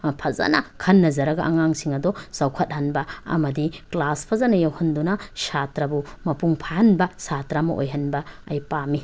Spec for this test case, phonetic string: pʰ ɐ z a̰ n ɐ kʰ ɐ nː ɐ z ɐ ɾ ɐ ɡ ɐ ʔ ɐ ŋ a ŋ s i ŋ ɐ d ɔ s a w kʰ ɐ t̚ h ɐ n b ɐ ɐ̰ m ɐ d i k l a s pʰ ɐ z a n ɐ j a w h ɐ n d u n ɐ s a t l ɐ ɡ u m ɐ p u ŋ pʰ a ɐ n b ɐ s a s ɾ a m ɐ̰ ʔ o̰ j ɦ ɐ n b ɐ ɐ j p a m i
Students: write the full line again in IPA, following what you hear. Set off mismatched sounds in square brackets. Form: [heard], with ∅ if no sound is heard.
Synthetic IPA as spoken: pʰ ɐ z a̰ n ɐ kʰ ɐ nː ɐ z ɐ ɾ ɐ ɡ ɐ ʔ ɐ ŋ a ŋ s i ŋ ɐ d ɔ s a w kʰ ɐ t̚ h ɐ n b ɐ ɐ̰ m ɐ d i k l a s pʰ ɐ z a n ɐ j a w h ɐ n d u n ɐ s a t [ɾ] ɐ [b] u m ɐ p u ŋ pʰ a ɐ n b ɐ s a [t] ɾ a m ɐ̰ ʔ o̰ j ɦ ɐ n b ɐ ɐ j p a m i

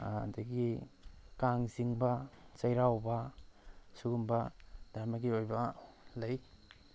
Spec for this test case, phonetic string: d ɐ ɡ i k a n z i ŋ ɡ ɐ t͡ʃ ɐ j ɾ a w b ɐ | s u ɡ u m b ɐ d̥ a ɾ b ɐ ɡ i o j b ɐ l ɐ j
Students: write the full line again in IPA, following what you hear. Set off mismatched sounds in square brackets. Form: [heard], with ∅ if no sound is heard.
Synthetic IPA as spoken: d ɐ ɡ i k a [ŋ] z i ŋ [b] ɐ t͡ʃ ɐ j ɾ a w b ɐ | s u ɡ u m b ɐ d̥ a ɾ [m] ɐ ɡ i o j b ɐ l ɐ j

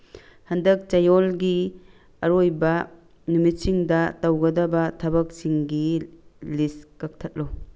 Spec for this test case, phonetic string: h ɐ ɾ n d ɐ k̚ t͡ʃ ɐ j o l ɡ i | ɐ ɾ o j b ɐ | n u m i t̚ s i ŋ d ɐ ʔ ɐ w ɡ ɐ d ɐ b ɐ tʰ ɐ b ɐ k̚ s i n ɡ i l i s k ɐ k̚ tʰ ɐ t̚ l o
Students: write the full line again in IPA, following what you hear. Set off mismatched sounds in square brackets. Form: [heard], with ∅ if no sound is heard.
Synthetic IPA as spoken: h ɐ [∅] n d ɐ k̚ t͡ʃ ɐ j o l ɡ i | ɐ ɾ o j b ɐ | n u m i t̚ s i ŋ d ɐ [t] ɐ w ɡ ɐ d ɐ b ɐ tʰ ɐ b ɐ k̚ s i [ŋ] ɡ i l i s k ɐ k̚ tʰ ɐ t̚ l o

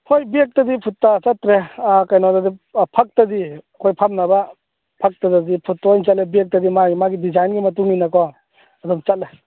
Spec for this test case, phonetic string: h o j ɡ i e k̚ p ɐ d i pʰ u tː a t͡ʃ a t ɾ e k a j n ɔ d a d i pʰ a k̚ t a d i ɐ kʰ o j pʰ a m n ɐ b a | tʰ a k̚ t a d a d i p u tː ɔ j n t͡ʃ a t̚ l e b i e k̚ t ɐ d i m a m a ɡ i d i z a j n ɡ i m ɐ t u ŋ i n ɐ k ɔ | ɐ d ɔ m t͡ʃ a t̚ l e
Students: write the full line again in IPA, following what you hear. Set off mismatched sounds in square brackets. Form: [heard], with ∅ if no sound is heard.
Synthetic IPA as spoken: h o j [b] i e k̚ [t] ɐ d i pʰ u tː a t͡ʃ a t ɾ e k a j n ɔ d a d i pʰ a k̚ t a d i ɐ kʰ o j pʰ a m n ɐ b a | [pʰ] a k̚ t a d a d i [pʰ] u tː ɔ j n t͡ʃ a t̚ l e b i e k̚ t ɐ d i m a m a ɡ i d i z a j n ɡ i m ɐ t u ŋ i n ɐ k ɔ | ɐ d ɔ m t͡ʃ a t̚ l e

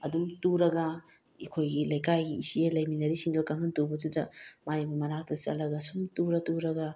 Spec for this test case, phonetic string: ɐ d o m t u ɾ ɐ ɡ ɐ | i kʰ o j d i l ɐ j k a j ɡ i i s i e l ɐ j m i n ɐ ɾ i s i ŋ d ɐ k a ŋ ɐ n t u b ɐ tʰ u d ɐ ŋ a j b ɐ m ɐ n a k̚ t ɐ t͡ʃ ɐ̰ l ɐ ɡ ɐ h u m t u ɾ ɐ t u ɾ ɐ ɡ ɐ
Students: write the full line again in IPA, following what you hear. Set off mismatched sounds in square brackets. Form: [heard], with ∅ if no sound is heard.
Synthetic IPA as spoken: ɐ d [u] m t u ɾ ɐ ɡ ɐ | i kʰ o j [ɡ] i l ɐ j k a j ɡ i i s i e l ɐ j m i n ɐ ɾ i s i ŋ d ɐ k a ŋ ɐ n t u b ɐ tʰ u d ɐ [m] a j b ɐ m ɐ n a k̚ t ɐ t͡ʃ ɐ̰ l ɐ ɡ ɐ [s] u m t u ɾ ɐ t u ɾ ɐ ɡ ɐ

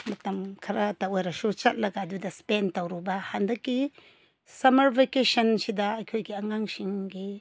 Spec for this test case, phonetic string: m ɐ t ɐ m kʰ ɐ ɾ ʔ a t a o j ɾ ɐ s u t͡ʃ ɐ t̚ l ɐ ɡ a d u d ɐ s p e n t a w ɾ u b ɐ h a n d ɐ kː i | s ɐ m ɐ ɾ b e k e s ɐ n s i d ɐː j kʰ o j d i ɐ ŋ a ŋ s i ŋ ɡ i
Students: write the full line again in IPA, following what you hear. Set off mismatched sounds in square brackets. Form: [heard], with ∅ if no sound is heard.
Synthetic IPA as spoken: m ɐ t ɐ m kʰ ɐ ɾ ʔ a t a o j ɾ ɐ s u t͡ʃ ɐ t̚ l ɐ ɡ a d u d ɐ s p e n t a w ɾ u b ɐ h a n d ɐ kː i | s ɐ m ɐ ɾ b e k e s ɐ n s i d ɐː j kʰ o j [ɡ] i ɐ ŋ a ŋ s i ŋ ɡ i

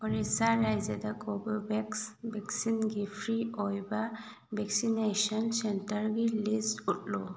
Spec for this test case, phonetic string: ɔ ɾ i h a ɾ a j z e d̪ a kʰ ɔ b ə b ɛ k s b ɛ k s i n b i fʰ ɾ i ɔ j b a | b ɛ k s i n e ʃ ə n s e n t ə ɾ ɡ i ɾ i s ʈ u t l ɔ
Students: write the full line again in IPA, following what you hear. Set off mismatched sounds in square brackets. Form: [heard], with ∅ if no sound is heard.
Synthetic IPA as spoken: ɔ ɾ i [s] a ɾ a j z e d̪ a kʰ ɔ b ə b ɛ k s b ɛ k s i n [ɡ] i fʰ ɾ i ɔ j b a | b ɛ k s i n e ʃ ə n s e n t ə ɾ ɡ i [l] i s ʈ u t l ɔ

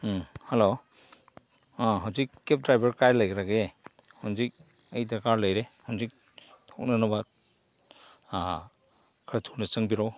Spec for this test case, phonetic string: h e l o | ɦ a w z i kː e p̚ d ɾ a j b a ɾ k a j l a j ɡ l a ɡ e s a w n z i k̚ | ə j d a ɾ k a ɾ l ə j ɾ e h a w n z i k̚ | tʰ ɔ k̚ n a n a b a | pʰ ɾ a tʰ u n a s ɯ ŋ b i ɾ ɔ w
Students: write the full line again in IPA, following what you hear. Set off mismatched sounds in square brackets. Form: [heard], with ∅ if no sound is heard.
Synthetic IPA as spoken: h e l o | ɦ a w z i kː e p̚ d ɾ a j b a ɾ k a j l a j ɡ [ɾ] a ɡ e [h] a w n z i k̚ | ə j d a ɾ k a ɾ l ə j ɾ e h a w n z i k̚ | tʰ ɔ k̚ n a n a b a | [kʰ] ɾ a tʰ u n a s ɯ ŋ b i ɾ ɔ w

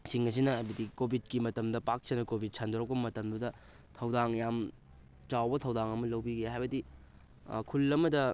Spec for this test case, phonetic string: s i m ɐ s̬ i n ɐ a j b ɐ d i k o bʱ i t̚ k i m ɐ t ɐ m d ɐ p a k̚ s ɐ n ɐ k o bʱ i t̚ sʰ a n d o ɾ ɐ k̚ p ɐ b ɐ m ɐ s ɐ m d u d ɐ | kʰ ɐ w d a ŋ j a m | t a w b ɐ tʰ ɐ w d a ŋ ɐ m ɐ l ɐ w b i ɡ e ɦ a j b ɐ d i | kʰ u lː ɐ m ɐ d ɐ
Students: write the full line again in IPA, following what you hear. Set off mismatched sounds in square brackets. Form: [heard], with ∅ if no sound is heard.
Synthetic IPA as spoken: s i [ŋ] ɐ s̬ i n ɐ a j b ɐ d i k o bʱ i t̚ k i m ɐ t ɐ m d ɐ p a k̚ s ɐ n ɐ k o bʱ i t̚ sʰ a n d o ɾ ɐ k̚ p ɐ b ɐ m ɐ [t] ɐ m d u d ɐ | [tʰ] ɐ w d a ŋ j a m | [t͡ʃ] a w b ɐ tʰ ɐ w d a ŋ ɐ m ɐ l ɐ w b i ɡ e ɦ a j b ɐ d i | kʰ u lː ɐ m ɐ d ɐ

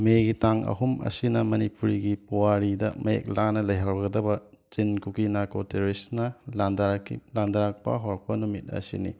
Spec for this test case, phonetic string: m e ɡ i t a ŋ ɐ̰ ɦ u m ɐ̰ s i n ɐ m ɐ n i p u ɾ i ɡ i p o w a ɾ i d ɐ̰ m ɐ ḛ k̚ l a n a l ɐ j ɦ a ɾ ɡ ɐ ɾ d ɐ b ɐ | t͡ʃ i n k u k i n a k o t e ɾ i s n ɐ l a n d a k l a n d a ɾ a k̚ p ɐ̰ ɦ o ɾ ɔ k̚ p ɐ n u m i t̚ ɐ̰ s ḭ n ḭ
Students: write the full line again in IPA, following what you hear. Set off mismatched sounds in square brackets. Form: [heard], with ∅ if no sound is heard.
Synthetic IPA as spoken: m e ɡ i t a ŋ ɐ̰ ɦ u m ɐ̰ s i n ɐ m ɐ n i p u ɾ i ɡ i p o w a ɾ i d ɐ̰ m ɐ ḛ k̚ l a n [ɐ] l ɐ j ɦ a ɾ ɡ ɐ [∅] d ɐ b ɐ | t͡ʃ i n k u k i n a k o t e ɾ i s n ɐ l a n d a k l a n d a ɾ a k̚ p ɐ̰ ɦ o ɾ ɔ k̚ p ɐ n u m i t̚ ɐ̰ s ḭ n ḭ

